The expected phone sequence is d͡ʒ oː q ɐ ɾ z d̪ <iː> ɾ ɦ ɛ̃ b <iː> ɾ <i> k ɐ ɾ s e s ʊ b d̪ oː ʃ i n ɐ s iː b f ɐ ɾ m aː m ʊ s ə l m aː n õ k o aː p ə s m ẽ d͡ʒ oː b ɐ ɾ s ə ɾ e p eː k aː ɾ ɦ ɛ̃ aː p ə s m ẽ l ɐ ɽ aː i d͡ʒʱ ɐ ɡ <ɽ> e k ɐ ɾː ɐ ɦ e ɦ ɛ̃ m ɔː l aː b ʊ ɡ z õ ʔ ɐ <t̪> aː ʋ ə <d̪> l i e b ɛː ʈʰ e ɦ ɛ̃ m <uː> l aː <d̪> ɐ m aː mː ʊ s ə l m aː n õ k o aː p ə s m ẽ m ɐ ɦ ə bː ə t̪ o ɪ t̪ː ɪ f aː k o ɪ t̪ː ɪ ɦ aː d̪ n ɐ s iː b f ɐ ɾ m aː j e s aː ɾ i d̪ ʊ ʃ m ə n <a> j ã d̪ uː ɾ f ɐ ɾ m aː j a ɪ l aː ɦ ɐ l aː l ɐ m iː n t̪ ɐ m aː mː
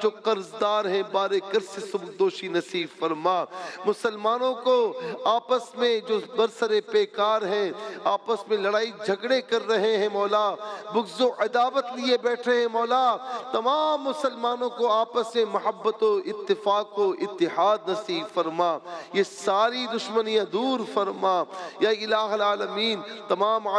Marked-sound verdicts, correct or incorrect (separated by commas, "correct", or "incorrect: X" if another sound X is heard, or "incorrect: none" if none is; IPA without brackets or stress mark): incorrect: aː, incorrect: aː, incorrect: e, correct, incorrect: d̪, incorrect: t̪, incorrect: ɔː, incorrect: t̪, incorrect: i